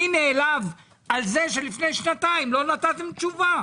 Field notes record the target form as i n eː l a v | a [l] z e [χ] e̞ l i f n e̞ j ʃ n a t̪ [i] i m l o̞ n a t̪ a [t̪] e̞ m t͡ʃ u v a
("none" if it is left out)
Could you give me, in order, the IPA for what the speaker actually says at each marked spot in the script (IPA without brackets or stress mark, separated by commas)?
l, ʃ, a, t̪